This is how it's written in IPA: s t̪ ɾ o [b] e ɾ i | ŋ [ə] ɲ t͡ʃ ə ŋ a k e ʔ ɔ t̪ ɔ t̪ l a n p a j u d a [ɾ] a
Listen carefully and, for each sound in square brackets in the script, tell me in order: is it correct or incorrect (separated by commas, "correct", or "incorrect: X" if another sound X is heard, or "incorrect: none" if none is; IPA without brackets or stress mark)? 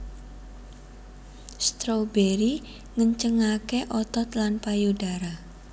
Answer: correct, correct, correct